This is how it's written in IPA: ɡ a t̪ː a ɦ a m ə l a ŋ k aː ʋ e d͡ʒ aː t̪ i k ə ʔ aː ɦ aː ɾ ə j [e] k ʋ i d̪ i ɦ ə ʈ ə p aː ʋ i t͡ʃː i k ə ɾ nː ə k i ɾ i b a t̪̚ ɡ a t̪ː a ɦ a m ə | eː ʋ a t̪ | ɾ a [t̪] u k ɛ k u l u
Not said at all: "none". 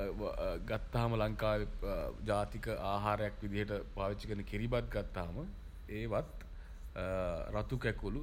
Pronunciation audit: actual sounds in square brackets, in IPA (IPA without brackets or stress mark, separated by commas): a, t̪